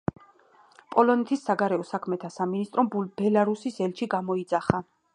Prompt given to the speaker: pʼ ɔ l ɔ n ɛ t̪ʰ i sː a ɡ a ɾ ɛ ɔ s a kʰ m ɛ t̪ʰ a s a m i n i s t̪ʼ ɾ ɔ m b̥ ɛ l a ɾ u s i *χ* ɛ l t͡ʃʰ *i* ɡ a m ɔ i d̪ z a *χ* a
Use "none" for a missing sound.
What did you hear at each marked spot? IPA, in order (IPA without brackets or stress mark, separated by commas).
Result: s, i, χ